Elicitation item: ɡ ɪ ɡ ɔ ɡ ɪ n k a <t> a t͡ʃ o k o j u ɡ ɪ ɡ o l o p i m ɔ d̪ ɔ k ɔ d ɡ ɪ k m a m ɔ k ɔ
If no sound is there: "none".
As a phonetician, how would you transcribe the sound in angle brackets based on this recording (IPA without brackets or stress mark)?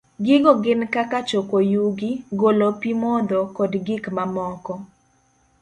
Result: k